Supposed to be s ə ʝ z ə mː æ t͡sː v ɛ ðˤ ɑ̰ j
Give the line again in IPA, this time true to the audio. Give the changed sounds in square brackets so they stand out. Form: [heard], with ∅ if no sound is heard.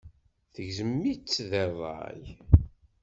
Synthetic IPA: [θ] ə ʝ z ə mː [i] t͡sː [ð] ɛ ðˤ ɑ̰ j